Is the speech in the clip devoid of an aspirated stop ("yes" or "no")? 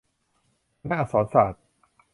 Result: yes